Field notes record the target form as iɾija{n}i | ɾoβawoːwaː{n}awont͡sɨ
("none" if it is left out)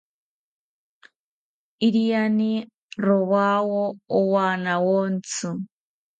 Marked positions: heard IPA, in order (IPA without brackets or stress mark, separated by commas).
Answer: n, n